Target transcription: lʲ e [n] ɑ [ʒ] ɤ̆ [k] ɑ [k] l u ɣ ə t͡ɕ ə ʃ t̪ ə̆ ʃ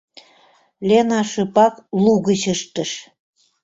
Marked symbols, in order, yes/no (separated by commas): yes, no, no, yes